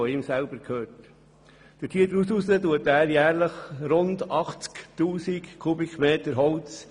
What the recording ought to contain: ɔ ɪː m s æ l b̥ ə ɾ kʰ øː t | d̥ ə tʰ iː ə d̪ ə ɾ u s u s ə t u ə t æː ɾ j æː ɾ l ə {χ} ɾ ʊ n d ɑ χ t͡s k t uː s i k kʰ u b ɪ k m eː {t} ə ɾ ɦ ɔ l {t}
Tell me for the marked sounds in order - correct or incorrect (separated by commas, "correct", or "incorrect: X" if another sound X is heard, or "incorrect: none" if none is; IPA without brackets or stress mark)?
correct, correct, incorrect: t͡s